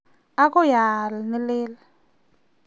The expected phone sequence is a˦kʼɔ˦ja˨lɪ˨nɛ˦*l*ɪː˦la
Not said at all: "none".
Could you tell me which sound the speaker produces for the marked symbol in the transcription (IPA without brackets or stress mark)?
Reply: l